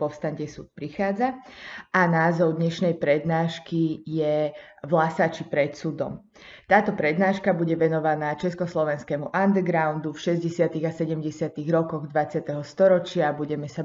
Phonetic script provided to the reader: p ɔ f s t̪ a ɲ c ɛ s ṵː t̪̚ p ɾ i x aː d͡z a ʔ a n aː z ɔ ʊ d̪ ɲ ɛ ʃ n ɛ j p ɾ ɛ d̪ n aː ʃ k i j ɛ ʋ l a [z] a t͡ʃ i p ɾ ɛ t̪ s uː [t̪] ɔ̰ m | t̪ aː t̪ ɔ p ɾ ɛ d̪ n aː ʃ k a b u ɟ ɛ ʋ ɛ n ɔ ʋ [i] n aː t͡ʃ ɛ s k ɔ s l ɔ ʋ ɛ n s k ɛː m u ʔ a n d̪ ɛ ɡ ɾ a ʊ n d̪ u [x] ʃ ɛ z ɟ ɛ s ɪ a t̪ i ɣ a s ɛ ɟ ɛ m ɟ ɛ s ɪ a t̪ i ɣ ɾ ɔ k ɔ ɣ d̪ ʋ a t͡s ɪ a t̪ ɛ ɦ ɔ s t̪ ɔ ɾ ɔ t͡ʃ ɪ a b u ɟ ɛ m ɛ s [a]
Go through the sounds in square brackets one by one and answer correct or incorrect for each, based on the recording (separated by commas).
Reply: incorrect, incorrect, incorrect, incorrect, correct